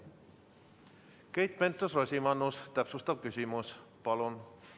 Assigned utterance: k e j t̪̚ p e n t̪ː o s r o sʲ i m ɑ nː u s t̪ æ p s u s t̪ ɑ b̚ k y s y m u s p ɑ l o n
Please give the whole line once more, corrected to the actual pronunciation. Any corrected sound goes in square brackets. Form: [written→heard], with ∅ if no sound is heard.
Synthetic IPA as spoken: k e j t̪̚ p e n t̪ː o s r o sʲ i m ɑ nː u s t̪ æ p s u s t̪ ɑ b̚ k y s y m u s p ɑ l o n